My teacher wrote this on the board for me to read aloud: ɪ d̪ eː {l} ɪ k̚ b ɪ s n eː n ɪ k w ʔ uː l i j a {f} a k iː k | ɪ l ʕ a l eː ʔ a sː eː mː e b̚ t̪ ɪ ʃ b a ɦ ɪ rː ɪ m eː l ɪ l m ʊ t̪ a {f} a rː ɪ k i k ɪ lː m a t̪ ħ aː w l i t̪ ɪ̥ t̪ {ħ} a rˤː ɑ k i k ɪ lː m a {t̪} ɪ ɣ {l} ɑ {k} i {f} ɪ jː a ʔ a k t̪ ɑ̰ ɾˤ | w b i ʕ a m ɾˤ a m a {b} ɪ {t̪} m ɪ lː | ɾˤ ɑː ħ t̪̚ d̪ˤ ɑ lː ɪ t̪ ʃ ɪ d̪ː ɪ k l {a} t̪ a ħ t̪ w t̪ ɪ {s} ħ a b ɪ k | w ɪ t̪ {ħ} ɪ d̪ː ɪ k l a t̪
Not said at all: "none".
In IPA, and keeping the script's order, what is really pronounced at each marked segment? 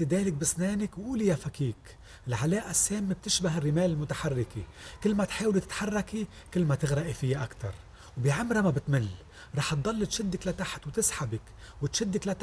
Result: l, f, ħ, ħ, t̪, ɾ, ʔ, f, b, t̪, a, s, ʃ

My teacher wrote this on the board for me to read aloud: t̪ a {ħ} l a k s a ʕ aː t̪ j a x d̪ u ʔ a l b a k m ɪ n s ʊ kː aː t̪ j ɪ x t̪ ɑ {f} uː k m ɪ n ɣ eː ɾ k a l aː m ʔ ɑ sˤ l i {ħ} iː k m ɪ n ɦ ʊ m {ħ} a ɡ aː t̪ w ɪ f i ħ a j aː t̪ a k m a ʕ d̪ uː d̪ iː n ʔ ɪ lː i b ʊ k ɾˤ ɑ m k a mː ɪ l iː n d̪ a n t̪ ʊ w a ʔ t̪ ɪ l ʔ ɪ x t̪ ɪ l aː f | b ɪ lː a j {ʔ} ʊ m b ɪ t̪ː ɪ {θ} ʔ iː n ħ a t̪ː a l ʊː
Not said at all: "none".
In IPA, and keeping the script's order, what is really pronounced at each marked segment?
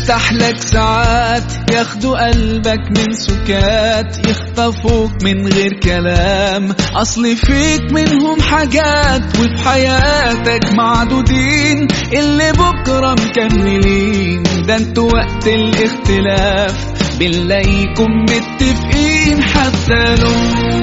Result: ħ, f, f, ħ, k, f

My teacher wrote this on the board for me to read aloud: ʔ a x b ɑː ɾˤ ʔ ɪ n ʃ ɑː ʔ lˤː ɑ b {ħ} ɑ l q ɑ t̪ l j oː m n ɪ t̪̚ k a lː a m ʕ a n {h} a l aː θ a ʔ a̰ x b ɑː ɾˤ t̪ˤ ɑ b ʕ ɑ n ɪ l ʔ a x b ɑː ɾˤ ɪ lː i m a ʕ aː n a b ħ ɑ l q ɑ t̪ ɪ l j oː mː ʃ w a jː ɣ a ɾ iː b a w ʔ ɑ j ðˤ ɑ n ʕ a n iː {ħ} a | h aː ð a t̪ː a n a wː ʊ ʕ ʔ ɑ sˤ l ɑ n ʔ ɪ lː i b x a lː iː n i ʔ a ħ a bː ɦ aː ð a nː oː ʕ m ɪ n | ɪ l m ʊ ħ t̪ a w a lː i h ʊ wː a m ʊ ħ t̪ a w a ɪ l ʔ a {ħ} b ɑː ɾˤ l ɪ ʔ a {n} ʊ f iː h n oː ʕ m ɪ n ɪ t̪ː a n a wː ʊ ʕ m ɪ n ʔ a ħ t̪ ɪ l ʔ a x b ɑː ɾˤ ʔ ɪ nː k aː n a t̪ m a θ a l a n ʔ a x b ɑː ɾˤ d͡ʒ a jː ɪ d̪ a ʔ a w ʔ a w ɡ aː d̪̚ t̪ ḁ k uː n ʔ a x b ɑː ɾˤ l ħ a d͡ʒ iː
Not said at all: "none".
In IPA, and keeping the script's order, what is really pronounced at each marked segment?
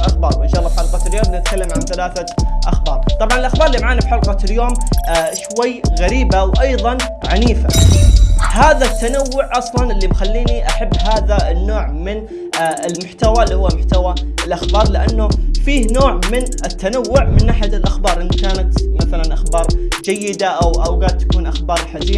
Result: ħ, θ, f, x, nː

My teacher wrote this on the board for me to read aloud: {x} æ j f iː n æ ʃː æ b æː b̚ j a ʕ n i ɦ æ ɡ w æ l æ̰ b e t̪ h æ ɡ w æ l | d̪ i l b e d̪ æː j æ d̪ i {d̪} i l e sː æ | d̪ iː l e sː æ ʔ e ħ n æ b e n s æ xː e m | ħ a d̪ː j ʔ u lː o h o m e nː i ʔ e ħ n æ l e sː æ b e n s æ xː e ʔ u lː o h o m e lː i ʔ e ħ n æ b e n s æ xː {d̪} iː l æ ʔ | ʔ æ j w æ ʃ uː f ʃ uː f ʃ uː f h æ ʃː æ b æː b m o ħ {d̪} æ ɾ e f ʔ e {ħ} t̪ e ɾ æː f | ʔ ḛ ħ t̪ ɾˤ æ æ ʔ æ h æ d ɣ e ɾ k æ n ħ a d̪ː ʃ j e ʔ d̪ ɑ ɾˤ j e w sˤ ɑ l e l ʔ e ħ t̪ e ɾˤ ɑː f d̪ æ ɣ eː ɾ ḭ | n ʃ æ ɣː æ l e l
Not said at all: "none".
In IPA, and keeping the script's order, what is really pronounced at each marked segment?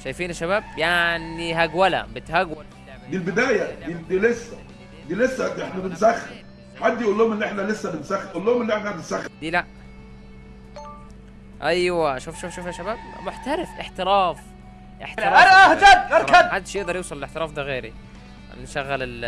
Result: ʃ, d̪, d̪, t̪, ħ

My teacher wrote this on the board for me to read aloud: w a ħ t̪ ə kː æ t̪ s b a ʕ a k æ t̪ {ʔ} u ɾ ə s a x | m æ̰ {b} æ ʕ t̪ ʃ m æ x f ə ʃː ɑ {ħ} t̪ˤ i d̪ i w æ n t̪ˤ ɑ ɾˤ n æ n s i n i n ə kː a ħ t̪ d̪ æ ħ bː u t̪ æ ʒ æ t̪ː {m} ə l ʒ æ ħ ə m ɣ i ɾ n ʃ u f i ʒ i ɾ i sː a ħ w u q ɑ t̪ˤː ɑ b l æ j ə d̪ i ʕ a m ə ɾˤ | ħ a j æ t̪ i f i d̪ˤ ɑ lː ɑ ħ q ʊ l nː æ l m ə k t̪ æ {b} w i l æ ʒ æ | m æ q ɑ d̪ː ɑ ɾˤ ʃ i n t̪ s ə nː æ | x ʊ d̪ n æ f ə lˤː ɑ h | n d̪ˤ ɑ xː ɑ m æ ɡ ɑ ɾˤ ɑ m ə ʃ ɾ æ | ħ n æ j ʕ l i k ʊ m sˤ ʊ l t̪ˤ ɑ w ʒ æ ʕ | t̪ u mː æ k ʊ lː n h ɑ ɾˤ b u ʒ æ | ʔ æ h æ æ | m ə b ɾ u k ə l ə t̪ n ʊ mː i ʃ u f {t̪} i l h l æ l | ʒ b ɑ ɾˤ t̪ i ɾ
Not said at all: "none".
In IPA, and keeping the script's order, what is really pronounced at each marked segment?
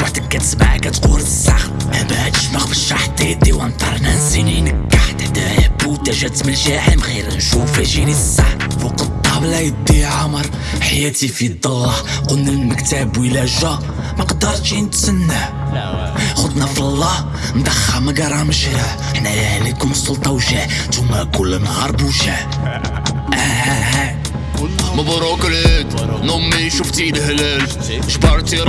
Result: q, b, ħ, m, b, t̪

